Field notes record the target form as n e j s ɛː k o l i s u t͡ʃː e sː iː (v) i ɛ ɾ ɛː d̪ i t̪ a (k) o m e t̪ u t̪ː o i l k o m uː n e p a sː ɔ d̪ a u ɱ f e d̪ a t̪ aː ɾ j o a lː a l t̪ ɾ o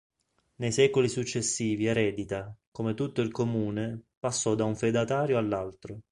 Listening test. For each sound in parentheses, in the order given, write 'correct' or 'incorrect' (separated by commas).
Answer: correct, correct